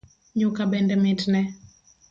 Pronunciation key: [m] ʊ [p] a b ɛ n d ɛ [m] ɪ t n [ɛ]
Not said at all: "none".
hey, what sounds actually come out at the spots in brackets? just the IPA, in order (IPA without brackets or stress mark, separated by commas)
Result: ɲ, k, m, ɛ